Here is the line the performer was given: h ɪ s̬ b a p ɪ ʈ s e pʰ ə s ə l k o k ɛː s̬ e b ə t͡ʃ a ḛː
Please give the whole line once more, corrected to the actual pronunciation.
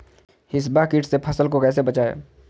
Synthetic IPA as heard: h ɪ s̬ b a k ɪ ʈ s e pʰ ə s ə l k o k ɛː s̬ e b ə t͡ʃ a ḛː